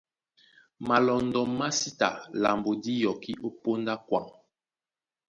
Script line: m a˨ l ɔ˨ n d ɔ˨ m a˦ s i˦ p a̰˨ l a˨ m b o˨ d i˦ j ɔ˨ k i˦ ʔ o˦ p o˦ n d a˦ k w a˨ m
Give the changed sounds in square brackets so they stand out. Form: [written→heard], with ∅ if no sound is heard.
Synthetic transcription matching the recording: m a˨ l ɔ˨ n d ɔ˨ m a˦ s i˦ [p→t] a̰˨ l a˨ m b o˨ d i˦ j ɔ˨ k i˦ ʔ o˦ p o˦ n d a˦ k w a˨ [m→ŋ]

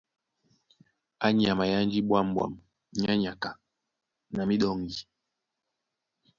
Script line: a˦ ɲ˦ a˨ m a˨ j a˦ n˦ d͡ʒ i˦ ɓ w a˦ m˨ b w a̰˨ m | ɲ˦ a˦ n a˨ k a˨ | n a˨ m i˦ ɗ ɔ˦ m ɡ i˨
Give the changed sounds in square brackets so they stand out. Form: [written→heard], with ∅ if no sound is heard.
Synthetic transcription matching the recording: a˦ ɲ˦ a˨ m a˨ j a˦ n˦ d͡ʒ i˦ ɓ w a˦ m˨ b w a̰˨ m | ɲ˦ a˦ [n→ɲ] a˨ k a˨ | n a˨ m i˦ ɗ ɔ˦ [m→ŋ] ɡ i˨

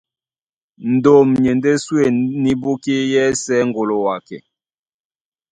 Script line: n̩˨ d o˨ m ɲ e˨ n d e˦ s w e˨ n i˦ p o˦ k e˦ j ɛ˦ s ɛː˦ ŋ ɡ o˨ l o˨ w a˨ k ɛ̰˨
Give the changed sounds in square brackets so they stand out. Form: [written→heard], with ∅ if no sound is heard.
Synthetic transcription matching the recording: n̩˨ d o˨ m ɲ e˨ n d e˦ s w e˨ n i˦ [p→b] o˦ k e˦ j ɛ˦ s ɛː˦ ŋ ɡ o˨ l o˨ w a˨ k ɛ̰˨

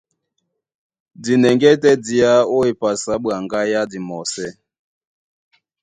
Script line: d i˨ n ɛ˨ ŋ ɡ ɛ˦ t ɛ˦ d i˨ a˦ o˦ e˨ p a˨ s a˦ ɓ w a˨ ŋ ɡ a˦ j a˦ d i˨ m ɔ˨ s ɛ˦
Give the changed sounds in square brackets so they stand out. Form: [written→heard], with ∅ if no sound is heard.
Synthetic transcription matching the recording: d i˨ n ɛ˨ ŋ ɡ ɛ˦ t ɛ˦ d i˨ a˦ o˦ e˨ p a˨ s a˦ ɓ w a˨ ŋ ɡ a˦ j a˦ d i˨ m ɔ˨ s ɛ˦

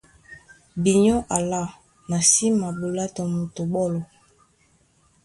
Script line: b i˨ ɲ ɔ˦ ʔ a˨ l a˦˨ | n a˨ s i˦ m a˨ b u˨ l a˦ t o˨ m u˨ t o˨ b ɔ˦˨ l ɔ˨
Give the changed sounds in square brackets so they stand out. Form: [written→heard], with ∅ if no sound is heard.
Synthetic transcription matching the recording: b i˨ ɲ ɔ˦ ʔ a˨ l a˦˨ | n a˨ s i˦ m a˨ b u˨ l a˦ t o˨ m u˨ t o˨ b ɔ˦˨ l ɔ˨

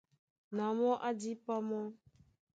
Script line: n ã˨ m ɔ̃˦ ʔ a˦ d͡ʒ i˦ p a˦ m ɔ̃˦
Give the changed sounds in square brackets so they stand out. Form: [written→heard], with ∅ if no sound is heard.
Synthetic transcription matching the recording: n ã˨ m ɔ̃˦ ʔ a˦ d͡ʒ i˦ p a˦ m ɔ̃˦

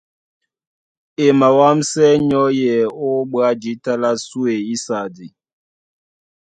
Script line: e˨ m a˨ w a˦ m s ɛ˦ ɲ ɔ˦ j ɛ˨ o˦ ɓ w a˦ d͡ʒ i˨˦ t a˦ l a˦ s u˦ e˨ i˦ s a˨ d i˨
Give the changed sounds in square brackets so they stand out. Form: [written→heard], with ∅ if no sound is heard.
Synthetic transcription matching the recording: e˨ m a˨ w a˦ m s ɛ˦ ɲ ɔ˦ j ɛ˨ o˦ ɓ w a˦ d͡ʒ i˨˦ t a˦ l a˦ s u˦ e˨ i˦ s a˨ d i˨

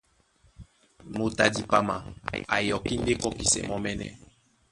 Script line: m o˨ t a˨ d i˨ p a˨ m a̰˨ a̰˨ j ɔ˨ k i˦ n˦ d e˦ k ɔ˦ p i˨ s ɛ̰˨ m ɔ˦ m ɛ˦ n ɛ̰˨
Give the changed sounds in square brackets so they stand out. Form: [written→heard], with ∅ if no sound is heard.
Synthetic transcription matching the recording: m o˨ t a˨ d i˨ p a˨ m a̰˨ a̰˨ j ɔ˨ k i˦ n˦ d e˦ k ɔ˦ [p→k] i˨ s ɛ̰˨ m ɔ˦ m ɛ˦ n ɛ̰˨

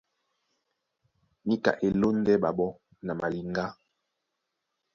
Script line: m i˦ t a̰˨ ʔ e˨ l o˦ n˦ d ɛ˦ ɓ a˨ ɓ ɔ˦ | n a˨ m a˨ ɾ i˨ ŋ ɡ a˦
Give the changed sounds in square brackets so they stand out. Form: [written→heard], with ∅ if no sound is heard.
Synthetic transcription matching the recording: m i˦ [t→k] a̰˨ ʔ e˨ l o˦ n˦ d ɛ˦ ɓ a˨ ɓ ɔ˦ | n a˨ m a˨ [ɾ→l] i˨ ŋ ɡ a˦

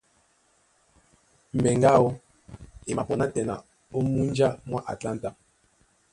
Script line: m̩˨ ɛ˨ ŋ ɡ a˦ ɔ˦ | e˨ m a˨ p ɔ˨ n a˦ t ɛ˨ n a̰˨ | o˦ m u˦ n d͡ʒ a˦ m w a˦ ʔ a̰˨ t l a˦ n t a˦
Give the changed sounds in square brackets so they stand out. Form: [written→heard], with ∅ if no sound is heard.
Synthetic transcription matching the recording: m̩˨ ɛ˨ ŋ ɡ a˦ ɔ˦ | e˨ m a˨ p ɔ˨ n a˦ t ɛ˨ n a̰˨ | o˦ m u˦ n d͡ʒ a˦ m w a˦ ʔ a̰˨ t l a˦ n t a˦

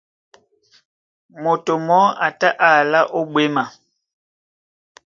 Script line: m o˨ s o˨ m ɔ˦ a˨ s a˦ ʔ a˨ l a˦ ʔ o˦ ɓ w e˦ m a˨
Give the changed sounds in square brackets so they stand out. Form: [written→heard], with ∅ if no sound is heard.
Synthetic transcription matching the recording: m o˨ [s→t] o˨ m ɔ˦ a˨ [s→t] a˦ ʔ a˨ l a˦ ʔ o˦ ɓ w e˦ m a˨

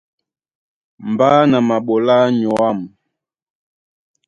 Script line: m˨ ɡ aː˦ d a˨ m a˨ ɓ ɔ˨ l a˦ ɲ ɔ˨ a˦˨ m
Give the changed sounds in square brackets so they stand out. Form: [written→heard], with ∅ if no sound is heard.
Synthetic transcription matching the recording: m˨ [ɡ→b] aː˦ [d→n] a˨ m a˨ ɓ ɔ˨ l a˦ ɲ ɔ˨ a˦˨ m

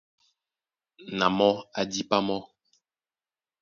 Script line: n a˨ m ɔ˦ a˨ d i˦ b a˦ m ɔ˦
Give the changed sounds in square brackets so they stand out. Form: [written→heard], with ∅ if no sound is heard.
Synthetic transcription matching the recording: n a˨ m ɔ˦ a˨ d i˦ [b→p] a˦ m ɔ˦

